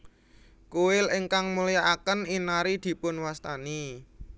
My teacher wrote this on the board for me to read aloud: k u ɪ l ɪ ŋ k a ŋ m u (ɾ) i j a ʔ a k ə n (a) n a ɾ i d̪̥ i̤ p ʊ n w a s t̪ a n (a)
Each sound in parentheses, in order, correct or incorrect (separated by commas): incorrect, incorrect, incorrect